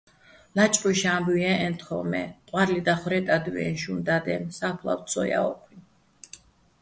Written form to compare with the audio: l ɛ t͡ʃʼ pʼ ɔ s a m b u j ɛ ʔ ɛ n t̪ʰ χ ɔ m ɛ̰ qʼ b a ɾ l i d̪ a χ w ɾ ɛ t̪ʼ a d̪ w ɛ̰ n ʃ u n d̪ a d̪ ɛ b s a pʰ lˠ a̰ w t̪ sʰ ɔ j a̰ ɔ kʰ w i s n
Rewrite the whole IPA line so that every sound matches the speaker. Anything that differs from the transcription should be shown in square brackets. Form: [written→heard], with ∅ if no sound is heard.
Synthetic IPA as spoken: l [ɛ→a] t͡ʃʼ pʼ ɔ [s→ʃ] a m b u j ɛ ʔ ɛ n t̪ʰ χ ɔ m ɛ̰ qʼ [b→w] a ɾ l i d̪ a χ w ɾ ɛ t̪ʼ a d̪ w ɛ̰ n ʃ u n d̪ a d̪ ɛ [b→m] s a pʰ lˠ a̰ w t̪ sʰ ɔ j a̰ ɔ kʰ w i [s→∅] n